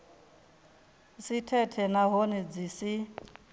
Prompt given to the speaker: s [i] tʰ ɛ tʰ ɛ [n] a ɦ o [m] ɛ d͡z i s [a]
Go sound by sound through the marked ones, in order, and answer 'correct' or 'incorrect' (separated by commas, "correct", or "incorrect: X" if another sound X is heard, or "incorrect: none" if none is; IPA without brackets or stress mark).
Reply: correct, correct, incorrect: n, incorrect: i